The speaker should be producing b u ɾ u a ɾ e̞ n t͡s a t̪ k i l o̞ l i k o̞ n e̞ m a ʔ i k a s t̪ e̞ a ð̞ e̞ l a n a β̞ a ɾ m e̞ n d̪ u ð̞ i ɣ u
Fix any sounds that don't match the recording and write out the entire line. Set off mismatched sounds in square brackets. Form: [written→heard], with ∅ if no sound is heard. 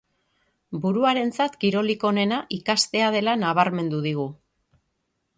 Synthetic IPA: b u ɾ u a ɾ e̞ n t͡s a t̪ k i [l→ɾ] o̞ l i k o̞ n e̞ [m→n] a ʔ i k a s t̪ e̞ a ð̞ e̞ l a n a β̞ a ɾ m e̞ n d̪ u ð̞ i ɣ u